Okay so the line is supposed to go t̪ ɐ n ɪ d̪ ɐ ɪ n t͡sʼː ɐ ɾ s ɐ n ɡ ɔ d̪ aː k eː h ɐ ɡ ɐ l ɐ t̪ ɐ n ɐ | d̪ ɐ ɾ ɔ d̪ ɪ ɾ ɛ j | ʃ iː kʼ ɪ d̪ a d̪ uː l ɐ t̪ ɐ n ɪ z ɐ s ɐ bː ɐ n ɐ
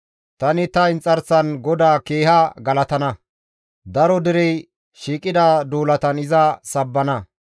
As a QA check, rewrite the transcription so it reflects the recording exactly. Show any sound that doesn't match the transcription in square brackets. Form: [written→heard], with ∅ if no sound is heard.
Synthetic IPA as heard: t̪ ɐ n ɪ [d̪→t̪] ɐ ɪ n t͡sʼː ɐ ɾ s ɐ n ɡ ɔ d̪ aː k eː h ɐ ɡ ɐ l ɐ t̪ ɐ n ɐ | d̪ ɐ ɾ ɔ d̪ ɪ ɾ ɛ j | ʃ iː kʼ ɪ d̪ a d̪ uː l ɐ t̪ ɐ n ɪ z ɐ s ɐ bː ɐ n ɐ